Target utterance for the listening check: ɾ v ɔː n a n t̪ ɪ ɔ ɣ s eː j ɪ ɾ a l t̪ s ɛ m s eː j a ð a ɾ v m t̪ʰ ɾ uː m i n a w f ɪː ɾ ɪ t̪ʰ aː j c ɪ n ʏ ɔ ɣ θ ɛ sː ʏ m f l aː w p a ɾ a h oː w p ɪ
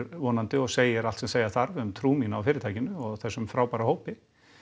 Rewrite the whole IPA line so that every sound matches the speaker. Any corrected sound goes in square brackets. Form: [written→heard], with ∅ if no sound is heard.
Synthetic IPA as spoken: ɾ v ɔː n a n t̪ ɪ ɔ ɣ s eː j ɪ ɾ a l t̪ s ɛ m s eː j a [ð→θ] a ɾ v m t̪ʰ ɾ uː m i n a w f ɪː ɾ ɪ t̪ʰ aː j c ɪ n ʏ ɔ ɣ θ ɛ sː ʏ m f [l→ɾ] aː w p a ɾ a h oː w p ɪ